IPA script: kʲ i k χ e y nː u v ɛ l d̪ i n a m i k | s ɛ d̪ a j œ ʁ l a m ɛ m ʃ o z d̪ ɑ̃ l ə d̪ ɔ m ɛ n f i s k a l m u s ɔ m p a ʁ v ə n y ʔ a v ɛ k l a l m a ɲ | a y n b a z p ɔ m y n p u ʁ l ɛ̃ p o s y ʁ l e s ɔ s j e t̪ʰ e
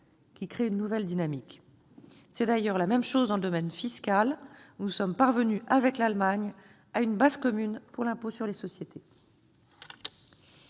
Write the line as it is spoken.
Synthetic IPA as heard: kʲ i k χ e y nː u v ɛ l d̪ i n a m i k | s ɛ d̪ a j œ ʁ l a m ɛ m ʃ o z d̪ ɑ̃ l ə d̪ ɔ m ɛ n f i s k a l n u s ɔ m p a ʁ v ə n y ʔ a v ɛ k l a l m a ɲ | a y n b a z k ɔ m y n p u ʁ l ɛ̃ p o s y ʁ l e s ɔ s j e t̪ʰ e